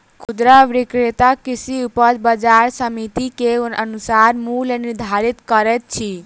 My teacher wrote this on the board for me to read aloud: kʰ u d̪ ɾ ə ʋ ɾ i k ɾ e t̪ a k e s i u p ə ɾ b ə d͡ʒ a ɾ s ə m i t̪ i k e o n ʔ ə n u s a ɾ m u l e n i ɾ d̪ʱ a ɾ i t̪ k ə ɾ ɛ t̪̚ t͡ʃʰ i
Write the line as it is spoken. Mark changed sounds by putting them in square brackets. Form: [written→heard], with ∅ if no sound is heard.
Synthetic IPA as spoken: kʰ u d̪ ɾ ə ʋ ɾ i k ɾ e t̪ a k [e→i] s i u p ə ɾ b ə d͡ʒ a ɾ s ə m i t̪ i k e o n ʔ ə n u s a ɾ m u l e n i ɾ d̪ʱ a ɾ i t̪ k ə ɾ ɛ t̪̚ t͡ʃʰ i